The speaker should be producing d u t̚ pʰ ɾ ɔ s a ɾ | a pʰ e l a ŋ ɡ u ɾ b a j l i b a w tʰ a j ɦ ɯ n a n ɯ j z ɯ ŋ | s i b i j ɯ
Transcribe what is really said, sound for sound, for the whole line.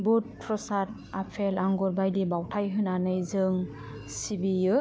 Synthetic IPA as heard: b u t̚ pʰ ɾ ɔ s a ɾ | a pʰ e l a ŋ ɡ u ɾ b a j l i b a w tʰ a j ɦ ɯ n a n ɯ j z ɯ ŋ | s i b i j ɯ